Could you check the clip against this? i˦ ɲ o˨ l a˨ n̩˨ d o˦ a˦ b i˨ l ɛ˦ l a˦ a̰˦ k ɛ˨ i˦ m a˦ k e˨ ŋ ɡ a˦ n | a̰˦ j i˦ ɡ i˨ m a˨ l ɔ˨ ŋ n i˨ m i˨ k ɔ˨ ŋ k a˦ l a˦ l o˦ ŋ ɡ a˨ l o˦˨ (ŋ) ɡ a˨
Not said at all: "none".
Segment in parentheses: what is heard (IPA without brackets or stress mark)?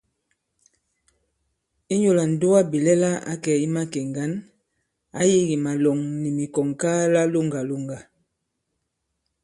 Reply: ŋ